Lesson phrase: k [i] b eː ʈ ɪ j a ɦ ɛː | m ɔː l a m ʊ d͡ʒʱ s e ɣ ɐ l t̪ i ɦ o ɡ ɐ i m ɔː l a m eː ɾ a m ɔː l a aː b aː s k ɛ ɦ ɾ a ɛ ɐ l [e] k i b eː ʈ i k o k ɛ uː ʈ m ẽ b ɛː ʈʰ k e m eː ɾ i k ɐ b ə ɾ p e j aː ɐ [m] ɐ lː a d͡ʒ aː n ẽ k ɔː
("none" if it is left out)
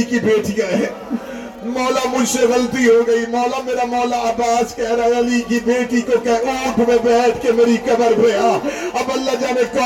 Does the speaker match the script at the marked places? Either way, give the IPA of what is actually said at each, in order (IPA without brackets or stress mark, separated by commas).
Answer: i, i, b